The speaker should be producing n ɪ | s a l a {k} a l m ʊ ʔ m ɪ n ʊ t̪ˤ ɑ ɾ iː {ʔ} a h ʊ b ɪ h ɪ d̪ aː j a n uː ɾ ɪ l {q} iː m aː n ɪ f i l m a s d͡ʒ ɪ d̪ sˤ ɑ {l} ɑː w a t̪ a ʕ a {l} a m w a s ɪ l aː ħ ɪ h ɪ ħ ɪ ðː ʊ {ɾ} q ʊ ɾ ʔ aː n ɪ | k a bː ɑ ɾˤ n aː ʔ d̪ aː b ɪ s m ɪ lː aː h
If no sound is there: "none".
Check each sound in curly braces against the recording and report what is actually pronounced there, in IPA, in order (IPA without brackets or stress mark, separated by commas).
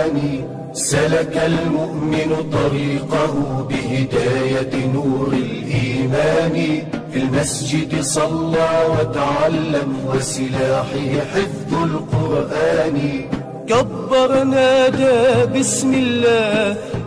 k, q, ʔ, lː, lː, l